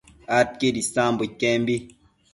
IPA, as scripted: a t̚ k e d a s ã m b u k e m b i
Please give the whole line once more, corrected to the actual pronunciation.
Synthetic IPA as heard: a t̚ k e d i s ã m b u k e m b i